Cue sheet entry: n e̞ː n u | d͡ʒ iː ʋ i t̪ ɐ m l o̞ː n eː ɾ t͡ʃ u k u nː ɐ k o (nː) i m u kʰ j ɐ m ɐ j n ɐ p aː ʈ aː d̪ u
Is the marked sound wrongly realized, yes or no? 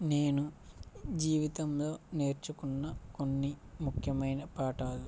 no